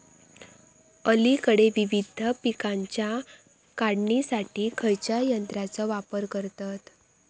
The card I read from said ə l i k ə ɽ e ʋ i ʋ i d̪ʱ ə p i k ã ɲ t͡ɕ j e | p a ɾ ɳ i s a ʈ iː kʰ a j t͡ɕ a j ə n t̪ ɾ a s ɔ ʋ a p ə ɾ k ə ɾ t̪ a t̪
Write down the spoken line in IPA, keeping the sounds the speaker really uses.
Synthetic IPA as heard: ə l i k ə ɽ e ʋ i ʋ i d̪ʱ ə p i k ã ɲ t͡ɕ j a | k a ɽ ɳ i s a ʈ iː kʰ ə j t͡ɕ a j ə n t̪ ɾ a t͡s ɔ ʋ a p ə ɾ k ə ɾ t̪ a t̪